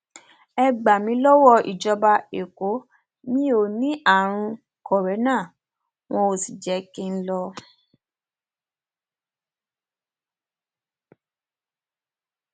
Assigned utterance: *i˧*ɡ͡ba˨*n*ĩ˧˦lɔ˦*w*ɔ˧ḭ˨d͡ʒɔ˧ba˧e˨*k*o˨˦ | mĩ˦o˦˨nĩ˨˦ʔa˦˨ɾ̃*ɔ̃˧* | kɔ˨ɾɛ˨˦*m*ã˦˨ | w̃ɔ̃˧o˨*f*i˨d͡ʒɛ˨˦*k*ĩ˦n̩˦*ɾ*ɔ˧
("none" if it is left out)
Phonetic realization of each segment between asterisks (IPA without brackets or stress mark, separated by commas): ɛ˧, m, w, k, ũ˧, n, s, k, l